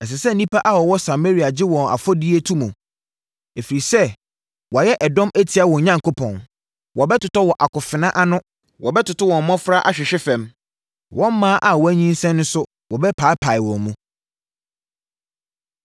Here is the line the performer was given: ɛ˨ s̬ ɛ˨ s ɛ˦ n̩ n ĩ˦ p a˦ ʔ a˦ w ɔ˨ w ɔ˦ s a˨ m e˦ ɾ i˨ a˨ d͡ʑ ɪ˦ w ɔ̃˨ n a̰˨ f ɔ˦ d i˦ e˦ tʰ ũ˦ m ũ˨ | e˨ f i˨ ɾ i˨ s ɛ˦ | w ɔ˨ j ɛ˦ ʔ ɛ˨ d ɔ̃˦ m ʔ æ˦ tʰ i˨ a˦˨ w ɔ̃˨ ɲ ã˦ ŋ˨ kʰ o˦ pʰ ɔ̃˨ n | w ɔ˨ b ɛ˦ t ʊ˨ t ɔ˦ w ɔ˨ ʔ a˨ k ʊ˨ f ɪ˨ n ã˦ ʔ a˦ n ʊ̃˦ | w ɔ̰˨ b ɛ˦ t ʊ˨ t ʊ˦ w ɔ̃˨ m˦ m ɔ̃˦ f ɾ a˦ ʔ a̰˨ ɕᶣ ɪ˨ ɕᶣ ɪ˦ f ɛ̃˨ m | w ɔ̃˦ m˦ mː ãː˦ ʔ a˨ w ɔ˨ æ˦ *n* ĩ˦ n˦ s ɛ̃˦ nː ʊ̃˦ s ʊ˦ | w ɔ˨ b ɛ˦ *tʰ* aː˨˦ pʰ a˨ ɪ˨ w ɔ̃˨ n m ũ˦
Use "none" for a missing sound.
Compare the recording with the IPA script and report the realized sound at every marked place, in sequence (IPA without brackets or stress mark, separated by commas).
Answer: ɲ, pʰ